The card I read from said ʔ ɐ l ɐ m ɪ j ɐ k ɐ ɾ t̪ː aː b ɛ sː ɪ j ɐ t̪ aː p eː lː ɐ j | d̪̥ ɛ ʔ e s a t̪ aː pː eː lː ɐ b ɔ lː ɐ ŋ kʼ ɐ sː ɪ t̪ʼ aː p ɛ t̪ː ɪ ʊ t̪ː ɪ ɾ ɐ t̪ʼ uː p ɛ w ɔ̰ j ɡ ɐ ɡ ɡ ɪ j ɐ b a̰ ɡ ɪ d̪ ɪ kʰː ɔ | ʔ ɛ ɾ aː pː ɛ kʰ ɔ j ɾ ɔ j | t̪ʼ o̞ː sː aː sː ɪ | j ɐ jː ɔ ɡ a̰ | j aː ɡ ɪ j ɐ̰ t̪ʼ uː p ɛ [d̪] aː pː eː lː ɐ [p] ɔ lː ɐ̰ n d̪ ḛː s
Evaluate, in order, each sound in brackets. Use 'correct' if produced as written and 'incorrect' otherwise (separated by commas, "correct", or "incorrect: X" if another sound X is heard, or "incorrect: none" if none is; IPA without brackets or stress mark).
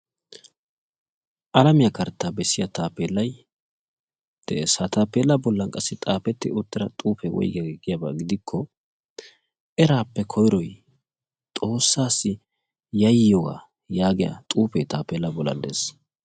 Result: incorrect: t̪, incorrect: b